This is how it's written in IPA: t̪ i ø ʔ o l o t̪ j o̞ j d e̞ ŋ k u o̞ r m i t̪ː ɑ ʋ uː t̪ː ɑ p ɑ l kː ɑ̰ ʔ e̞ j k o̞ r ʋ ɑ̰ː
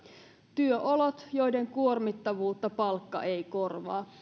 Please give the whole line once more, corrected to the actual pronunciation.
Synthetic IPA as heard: t̪ y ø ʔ o l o t̪ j o̞ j d e̞ ŋ k u o̞ r m i t̪ː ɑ ʋ uː t̪ː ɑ p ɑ l kː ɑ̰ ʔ e̞ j k o̞ r ʋ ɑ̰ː

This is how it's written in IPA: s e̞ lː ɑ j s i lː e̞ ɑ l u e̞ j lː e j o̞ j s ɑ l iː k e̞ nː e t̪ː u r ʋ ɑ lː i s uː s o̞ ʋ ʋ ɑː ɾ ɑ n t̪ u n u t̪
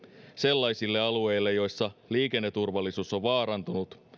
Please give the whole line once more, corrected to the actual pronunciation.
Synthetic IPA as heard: s e̞ lː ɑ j s i lː e̞ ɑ l u e̞ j lː e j o̞ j sː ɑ l iː k e̞ nː e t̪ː u r ʋ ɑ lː i s uː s o̞ ʋ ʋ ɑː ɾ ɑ n t̪ u n u t̪

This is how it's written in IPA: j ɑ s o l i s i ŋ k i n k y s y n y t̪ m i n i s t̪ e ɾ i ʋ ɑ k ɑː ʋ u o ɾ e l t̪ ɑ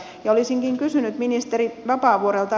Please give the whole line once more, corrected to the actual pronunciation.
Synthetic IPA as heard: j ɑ o l i s i ŋ k i ŋ k y s y n y t̪ m i n i s t̪ e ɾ i ʋ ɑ p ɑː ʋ u o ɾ e l t̪ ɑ

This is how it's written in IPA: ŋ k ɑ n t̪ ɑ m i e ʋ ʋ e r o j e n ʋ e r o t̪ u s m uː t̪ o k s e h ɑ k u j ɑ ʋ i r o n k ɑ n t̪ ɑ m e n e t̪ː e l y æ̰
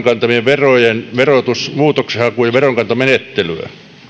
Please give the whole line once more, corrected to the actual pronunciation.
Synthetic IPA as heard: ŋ k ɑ n t̪ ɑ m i e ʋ ʋ e r o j e n ʋ e r o t̪ u s m uː t̪ o k s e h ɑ k u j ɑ ʋ e r o ŋ k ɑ n t̪ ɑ m e n e t̪ː e l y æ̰

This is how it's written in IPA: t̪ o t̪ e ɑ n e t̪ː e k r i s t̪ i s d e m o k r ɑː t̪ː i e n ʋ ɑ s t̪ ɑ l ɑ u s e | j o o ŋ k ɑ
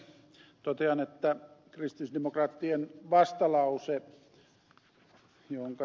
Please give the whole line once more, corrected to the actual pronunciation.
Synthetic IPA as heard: t̪ o t̪ e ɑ n e t̪ː æ k r i s t̪ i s d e m o k r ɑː t̪ː i e n ʋ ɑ s t̪ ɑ l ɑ u s e | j o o ŋ k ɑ

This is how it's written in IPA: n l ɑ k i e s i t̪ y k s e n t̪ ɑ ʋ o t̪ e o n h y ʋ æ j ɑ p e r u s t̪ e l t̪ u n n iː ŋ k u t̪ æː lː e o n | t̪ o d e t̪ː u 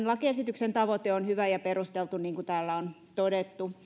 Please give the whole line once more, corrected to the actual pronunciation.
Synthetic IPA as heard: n l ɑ k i e s i t̪ y k s e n t̪ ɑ ʋ o t̪ e o n h y ʋ æ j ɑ p e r u s t̪ e l t̪ u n n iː ŋ k u t̪ æː lː æ o n | t̪ o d e t̪ː u

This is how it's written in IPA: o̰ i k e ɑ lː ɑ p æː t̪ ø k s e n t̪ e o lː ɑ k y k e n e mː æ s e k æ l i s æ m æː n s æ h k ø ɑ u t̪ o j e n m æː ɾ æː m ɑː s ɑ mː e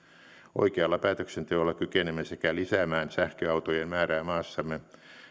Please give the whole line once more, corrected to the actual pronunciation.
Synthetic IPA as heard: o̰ i k e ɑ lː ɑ p æː t̪ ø k s e n t̪ e o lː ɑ k y k e n e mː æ s e k æ l i s æ m æː n s æ h k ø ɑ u t̪ o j e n m æː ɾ æː m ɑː sː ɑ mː e

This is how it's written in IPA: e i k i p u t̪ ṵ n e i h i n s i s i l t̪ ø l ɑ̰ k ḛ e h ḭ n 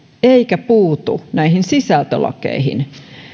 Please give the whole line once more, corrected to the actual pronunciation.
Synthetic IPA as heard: e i k æ p uː t̪ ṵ n æ i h i n s i s æ l t̪ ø l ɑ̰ k ḛ i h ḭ n

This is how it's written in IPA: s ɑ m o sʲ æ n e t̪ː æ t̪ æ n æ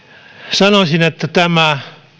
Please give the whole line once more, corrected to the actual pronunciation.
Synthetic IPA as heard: s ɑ n o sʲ i n e t̪ː æ t̪ æ m æ

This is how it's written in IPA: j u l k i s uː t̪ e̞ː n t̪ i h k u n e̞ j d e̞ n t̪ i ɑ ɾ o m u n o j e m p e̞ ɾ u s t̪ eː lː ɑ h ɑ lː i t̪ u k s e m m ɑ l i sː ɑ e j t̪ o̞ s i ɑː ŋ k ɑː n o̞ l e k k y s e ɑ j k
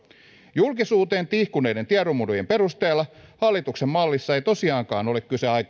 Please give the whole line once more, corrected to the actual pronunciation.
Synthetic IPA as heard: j u l k i s uː t̪ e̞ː n t̪ i h k u n e̞ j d e̞ n t̪ i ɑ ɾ o m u d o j e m p e̞ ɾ u s t̪ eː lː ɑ h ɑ lː i t̪ u k s e m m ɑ lː i sː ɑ e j t̪ o̞ s i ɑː ŋ k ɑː n o̞ l e k k y s e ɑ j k

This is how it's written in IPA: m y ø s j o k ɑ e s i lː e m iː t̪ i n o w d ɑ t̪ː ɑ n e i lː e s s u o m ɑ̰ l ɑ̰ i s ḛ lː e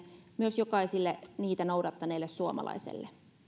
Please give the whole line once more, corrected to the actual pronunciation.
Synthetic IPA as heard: m y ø s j o k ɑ i s i lː e n iː t̪ æ n o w d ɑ t̪ː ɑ n e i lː e s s u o m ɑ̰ l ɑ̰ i s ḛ lː e

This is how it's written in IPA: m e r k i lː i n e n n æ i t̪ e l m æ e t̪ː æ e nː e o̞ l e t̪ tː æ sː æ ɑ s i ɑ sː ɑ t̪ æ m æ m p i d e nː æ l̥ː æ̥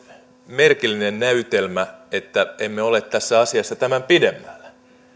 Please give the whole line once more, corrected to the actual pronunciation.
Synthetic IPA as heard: m e r k i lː i n e n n æ y t̪ e l m æ e t̪ː æ e mː e o̞ l e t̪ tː æ sː æ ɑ s i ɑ sː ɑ t̪ æ m æ m p i d e mː æ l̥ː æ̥

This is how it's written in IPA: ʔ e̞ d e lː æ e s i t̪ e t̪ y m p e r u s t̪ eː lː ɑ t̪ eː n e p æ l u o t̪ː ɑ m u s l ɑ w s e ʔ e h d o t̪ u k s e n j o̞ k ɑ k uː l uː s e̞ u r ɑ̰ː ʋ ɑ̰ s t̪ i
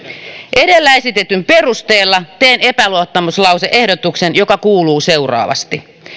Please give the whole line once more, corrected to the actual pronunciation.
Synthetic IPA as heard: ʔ e̞ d e lː æ e s i t̪ e t̪ y m p e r u s t̪ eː lː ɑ t̪ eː n e p æ l u o t̪ː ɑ m u s l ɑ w s e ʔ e h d o t̪ u k s e n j o̞ k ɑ k uː l uː s e̞ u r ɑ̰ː ʋ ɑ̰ s t̪ i

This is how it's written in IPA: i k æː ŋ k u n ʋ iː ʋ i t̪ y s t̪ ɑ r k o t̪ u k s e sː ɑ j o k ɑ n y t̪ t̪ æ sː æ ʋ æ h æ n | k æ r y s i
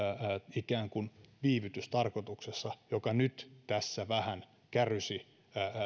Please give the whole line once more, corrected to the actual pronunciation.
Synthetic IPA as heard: i k æː ŋ k u n ʋ iː ʋ y t̪ y s t̪ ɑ r k o t̪ u k s e sː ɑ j o k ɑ n y t̪ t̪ æ sː æ ʋ æ h æ n | k æ r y s i

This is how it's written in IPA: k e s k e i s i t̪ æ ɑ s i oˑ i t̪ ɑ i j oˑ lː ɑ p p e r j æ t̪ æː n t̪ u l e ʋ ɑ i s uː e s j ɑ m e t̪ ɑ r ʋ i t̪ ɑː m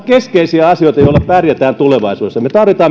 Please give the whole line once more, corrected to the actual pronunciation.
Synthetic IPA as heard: k e s k e i s i æ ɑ s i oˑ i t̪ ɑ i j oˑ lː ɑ p p æ r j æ t̪ æː n t̪ u l e ʋ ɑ i s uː e s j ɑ m e t̪ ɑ r ʋ i t̪ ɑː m

